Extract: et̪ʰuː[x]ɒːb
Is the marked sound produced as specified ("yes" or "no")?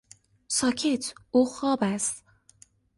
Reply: yes